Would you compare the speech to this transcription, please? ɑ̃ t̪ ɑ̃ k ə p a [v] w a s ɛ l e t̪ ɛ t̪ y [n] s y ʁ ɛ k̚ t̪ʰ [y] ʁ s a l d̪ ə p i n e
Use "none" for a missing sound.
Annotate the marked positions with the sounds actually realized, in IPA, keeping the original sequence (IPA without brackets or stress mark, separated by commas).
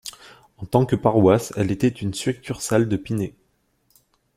ʁ, n, y